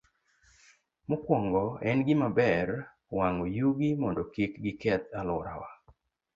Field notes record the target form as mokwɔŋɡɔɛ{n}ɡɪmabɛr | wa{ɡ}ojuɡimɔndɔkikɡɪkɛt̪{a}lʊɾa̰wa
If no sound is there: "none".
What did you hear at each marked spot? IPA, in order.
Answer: n, ŋ, a

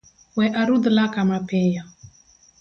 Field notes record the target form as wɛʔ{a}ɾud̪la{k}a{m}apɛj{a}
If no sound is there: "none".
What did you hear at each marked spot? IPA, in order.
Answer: a, k, m, a

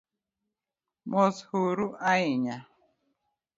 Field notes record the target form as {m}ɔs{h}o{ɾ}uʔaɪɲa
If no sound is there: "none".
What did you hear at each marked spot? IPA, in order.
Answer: m, h, ɾ

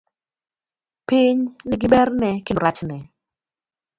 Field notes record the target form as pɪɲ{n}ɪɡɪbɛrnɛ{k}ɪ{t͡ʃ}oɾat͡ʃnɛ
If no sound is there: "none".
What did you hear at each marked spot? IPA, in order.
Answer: n, k, none

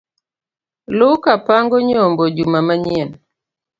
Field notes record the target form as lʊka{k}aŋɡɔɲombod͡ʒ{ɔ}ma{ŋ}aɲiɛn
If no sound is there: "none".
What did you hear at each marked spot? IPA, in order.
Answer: p, u, m

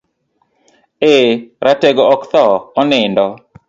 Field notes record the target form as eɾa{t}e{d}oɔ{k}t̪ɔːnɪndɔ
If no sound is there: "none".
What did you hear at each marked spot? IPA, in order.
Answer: t, ɡ, k

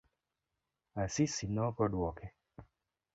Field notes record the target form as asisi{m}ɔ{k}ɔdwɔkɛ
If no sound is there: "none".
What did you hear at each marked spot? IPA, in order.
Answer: n, k

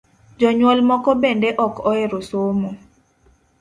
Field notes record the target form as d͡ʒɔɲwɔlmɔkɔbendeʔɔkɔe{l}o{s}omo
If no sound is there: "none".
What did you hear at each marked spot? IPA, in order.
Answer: ɾ, s

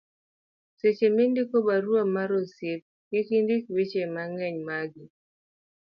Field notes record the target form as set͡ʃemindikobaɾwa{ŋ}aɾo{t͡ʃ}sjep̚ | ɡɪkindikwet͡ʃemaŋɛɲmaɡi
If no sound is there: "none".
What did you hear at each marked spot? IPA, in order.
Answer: m, none

